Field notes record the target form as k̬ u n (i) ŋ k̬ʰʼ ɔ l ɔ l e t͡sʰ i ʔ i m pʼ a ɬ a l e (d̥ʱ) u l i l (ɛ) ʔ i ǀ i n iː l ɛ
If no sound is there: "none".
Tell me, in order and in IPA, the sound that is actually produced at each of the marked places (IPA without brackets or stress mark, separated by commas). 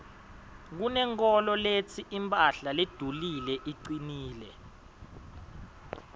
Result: ɛ, d̥ʱ, ɛ